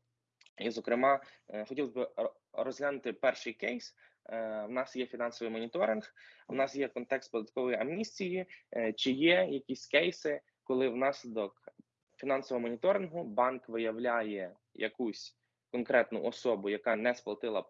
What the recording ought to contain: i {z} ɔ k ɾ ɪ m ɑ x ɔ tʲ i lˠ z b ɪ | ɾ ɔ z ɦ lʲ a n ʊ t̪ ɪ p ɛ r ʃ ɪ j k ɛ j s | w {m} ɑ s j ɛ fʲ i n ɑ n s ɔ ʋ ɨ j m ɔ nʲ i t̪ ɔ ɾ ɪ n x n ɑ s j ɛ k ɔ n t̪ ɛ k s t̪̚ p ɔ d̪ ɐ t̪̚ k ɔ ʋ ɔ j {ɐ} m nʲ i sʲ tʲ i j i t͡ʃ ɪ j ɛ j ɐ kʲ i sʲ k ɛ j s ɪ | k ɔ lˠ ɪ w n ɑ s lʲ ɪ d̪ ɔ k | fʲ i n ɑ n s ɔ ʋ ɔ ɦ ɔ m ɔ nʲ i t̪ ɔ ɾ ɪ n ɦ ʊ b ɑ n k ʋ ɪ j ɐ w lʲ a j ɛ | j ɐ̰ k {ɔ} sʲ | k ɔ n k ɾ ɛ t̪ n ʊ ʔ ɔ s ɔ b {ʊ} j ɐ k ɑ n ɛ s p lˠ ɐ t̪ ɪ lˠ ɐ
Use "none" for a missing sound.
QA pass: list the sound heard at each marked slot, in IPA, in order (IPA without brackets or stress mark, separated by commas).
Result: z, n, ɐ, u, ʊ